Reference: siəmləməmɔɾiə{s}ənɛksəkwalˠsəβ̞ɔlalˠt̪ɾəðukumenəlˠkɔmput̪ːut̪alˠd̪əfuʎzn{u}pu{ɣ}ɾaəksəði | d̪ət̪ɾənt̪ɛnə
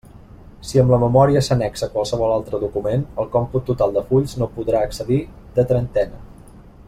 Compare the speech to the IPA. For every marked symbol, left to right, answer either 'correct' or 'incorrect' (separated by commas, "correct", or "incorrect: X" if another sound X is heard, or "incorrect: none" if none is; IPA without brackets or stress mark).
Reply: correct, incorrect: o, incorrect: ð